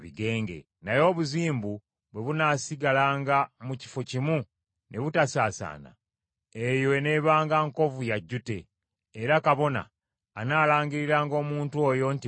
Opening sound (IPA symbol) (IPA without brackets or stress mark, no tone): β